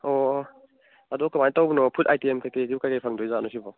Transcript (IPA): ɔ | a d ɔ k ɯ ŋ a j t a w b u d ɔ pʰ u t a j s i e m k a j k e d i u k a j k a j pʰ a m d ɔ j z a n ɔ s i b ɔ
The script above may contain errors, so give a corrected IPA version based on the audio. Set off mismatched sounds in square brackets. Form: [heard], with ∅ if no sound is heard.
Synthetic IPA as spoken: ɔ | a d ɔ k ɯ [m] a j t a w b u [n] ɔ pʰ u t a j [t] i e m k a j k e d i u k a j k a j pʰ a [ŋ] d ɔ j z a n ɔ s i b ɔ